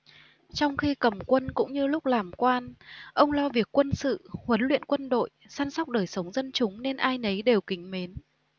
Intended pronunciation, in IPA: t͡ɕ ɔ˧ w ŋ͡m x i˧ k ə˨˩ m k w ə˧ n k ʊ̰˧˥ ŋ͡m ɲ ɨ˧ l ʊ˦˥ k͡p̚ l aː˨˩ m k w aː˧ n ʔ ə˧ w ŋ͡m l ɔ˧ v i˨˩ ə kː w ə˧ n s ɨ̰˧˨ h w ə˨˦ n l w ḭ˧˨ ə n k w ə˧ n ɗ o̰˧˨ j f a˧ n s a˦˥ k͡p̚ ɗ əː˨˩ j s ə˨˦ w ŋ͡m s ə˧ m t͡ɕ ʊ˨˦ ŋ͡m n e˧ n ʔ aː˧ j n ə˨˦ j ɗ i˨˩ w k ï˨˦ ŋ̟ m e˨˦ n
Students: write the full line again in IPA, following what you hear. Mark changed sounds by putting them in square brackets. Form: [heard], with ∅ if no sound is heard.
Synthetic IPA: t͡ɕ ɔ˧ w ŋ͡m x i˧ k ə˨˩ m k w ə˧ n k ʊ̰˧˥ ŋ͡m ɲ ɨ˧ l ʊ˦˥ k͡p̚ l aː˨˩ m k w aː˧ n ʔ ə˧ w ŋ͡m l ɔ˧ v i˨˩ ə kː w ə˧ n s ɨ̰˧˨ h w ə˨˦ n l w ḭ˧˨ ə n k w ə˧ n ɗ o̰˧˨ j [s] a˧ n s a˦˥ k͡p̚ ɗ əː˨˩ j s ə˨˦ w ŋ͡m [z] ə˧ [n] t͡ɕ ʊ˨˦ ŋ͡m n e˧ n ʔ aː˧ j n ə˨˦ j ɗ [e˨˩] w k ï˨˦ ŋ̟ m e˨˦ n